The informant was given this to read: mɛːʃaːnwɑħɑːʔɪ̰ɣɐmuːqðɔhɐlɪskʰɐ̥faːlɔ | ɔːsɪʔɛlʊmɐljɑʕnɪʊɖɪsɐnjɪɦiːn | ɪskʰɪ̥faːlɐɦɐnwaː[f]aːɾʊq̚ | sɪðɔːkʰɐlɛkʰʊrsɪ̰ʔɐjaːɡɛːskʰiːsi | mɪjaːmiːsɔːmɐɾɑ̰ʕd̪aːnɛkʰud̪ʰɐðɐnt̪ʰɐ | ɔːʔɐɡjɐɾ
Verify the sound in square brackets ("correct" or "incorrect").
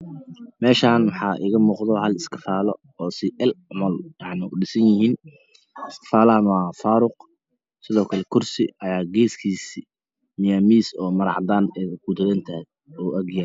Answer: correct